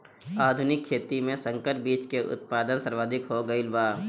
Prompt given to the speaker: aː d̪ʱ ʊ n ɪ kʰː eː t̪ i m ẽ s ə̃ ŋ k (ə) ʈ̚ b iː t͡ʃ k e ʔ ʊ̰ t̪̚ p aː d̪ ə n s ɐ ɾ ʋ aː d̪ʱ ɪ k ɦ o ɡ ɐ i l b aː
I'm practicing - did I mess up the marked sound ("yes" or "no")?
no